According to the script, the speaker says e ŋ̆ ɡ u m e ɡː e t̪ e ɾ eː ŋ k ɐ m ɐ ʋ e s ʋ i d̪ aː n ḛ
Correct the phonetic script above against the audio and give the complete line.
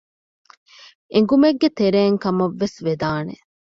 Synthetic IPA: e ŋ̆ ɡ u m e ɡː e t̪ e ɾ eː ŋ k ɐ m ɐ ʋː e s ʋ e d̪ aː n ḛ